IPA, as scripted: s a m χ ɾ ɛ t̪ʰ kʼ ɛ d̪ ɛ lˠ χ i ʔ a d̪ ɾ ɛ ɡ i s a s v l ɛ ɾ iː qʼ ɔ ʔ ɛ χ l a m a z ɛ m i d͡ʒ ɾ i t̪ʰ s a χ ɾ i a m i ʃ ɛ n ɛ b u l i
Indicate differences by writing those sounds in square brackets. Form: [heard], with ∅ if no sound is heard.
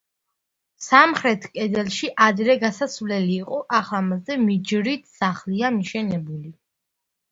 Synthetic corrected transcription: s a m χ ɾ ɛ t̪ʰ kʼ ɛ d̪ ɛ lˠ [ʃ] i ʔ a d̪ ɾ ɛ ɡ [a] s a s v l ɛ [l] iː qʼ ɔ ʔ [a] χ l a m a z ɛ m i d͡ʒ ɾ i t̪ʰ s a χ [l] i a m i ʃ ɛ n ɛ b u l i

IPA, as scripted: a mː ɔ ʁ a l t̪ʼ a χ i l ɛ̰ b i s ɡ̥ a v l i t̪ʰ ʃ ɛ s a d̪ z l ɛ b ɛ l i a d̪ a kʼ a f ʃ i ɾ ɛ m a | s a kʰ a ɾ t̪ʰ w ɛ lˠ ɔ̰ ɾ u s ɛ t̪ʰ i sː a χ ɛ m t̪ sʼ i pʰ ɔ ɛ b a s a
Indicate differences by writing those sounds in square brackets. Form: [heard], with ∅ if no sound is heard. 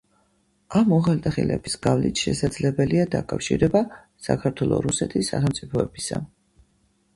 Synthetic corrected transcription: a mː ɔ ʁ a l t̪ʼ a χ i l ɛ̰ b i s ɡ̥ a v l i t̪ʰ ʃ ɛ s a d̪ z l ɛ b ɛ l i a d̪ a kʼ a f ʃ i ɾ ɛ [b] a | s a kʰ a ɾ t̪ʰ w ɛ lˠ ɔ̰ ɾ u s ɛ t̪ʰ i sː a χ ɛ m t̪ sʼ i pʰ ɔ ɛ b [i] s a

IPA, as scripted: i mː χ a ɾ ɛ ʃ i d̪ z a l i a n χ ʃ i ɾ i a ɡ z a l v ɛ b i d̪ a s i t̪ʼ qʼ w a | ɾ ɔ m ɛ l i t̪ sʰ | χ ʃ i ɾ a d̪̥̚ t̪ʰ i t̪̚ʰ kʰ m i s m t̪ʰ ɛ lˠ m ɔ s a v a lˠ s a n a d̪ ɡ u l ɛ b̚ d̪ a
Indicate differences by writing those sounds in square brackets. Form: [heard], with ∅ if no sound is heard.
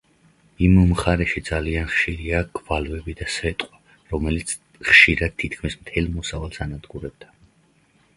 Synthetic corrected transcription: i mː χ a ɾ ɛ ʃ i d̪ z a l i a n χ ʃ i ɾ i a ɡ [v] a l v ɛ b i d̪ a s [ɛ] t̪ʼ qʼ w a | ɾ ɔ m ɛ l i t̪ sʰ | χ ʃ i ɾ a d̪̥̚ t̪ʰ i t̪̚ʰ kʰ m i s m t̪ʰ ɛ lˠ m ɔ s a v a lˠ s a n a d̪ ɡ u [ɾ] ɛ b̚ d̪ a

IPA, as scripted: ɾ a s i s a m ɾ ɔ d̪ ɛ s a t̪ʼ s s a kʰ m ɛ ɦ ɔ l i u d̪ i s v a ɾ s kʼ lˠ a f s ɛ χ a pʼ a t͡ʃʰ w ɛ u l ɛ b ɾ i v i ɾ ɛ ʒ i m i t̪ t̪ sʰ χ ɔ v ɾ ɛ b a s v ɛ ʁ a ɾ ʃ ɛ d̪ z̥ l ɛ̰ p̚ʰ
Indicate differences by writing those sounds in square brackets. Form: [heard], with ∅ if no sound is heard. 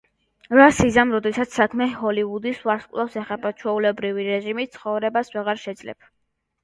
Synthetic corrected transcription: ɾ a s i [z] a m ɾ ɔ d̪ ɛ s a [t̪] s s a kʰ m ɛ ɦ ɔ l i u d̪ i s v a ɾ s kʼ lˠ a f s ɛ χ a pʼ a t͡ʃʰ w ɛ u l ɛ b ɾ i v i ɾ ɛ ʒ i m i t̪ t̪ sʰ χ ɔ v ɾ ɛ b a s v ɛ ʁ a ɾ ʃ ɛ d̪ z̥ l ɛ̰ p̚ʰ

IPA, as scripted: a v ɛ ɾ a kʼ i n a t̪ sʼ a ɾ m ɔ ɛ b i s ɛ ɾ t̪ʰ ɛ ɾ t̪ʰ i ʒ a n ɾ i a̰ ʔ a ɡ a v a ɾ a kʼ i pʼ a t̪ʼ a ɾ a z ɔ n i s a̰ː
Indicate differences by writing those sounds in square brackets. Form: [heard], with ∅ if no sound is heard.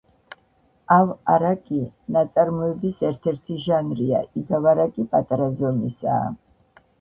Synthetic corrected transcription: a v [a] ɾ a kʼ i n a t̪ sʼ a ɾ m ɔ ɛ b i s ɛ ɾ t̪ʰ ɛ ɾ t̪ʰ i ʒ a n ɾ i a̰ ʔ [i] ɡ a v a ɾ a kʼ i pʼ a t̪ʼ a ɾ a z ɔ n i s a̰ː

